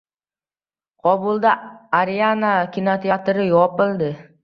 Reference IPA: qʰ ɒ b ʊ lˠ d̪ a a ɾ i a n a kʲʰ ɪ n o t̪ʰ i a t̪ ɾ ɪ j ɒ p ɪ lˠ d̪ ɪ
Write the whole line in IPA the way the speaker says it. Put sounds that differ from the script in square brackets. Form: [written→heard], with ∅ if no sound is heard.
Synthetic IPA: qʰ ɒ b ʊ lˠ d̪ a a ɾ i a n a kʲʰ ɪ n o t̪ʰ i a t̪ ɾ ɪ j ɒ p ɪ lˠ d̪ ɪ